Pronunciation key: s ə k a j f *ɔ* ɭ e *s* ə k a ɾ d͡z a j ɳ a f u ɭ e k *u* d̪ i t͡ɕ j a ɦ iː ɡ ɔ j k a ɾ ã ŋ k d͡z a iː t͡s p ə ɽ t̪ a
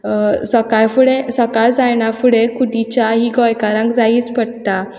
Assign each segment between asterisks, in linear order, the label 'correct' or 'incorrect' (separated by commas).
incorrect, correct, correct